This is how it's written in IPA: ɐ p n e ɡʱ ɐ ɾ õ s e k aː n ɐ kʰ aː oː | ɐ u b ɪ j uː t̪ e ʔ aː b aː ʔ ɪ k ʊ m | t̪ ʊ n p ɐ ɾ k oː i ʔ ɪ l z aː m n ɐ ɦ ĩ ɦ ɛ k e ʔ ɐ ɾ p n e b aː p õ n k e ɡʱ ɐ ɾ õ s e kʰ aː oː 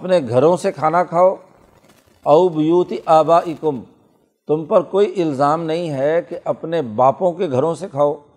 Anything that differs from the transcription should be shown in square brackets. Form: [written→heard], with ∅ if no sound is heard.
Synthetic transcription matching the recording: ɐ p n e ɡʱ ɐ ɾ õ s e [k→kʰ] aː n [ɐ→a] kʰ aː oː | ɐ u b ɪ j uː t̪ [e→i] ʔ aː b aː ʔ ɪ k ʊ m | t̪ ʊ [n→m] p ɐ ɾ k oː i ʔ ɪ l z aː m n ɐ ɦ ĩ ɦ ɛ k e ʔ ɐ [ɾ→∅] p n e b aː p õ [n→∅] k e ɡʱ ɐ ɾ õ s e kʰ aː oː